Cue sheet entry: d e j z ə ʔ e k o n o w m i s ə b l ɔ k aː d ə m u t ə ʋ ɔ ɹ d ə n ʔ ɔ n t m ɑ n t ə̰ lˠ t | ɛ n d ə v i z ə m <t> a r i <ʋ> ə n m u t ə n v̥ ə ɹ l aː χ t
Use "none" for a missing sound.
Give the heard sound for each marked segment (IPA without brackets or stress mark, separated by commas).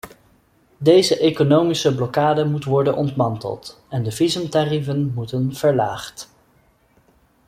t, v